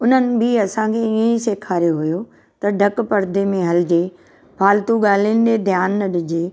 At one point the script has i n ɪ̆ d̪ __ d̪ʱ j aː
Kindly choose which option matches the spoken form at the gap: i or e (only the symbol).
e